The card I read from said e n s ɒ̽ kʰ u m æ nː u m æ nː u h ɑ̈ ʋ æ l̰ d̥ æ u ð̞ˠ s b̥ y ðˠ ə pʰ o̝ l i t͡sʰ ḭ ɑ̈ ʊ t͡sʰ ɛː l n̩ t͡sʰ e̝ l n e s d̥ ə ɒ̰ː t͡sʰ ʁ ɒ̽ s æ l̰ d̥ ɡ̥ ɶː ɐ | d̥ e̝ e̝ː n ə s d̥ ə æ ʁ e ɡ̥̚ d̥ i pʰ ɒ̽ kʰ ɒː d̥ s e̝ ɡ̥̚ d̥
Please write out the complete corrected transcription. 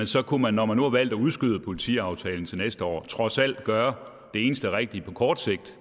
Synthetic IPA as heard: e n s ɒ̽ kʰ u m æ nː ɒ m æ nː u h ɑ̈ ʋ æ l̰ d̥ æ u ð̞ˠ s ɡ̥ y ðˠ ə pʰ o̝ l i t͡sʰ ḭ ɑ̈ ʊ t͡sʰ ɛː l n̩ t͡sʰ e̝ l n e s d̥ ə ɒ̰ː t͡sʰ ʁ ɒ̽ s æ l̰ d̥ ɡ̥ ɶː ɐ | d̥ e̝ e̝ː n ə s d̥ ə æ ʁ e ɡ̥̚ d̥ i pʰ ɒ̽ kʰ ɒː d̥ s e̝ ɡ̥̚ d̥